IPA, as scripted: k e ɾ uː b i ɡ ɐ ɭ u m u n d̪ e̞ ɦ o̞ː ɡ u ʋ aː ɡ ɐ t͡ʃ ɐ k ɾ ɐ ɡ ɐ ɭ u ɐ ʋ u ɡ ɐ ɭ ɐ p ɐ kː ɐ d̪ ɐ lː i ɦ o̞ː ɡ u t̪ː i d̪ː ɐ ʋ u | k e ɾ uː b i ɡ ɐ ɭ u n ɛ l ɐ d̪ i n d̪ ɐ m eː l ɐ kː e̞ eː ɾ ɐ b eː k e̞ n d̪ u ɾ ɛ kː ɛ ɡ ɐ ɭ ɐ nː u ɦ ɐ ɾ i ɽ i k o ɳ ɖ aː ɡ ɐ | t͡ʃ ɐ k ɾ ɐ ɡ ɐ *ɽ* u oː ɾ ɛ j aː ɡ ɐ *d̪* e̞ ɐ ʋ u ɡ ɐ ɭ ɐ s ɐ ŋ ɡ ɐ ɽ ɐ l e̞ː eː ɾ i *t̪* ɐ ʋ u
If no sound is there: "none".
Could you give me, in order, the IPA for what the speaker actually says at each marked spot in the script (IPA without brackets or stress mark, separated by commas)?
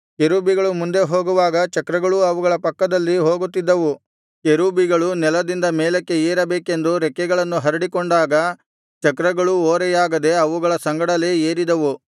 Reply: ɭ, d̪, d̪